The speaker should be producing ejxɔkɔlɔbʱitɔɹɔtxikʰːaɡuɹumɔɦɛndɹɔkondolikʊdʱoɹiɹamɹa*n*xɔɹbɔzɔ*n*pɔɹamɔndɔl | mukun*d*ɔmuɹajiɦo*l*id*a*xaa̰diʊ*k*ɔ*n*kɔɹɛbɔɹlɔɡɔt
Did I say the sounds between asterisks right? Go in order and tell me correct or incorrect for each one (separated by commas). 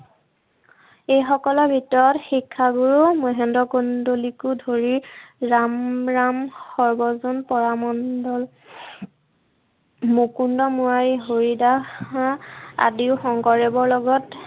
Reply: incorrect, correct, correct, incorrect, correct, incorrect, incorrect